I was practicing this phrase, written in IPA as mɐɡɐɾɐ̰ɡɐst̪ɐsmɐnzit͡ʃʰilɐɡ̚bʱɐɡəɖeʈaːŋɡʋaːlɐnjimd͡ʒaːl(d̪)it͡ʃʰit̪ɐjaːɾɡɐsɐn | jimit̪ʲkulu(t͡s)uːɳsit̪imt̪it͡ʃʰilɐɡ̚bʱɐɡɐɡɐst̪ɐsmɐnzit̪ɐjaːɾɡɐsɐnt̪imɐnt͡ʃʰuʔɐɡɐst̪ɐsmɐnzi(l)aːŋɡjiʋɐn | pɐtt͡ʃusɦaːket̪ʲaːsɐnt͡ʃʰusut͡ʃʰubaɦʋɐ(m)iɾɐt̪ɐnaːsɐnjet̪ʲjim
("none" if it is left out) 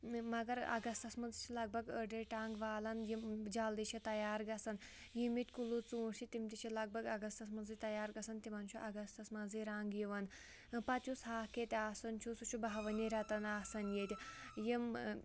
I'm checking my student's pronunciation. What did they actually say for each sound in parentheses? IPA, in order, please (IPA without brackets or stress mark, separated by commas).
d̪, t͡s, ɾ, n